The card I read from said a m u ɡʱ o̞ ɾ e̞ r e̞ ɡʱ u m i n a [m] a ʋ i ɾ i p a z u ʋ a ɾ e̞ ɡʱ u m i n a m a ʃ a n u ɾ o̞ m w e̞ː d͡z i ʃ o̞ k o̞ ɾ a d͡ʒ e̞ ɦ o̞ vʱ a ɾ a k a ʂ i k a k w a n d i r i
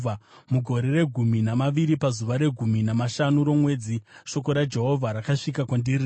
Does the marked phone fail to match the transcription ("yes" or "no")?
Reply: no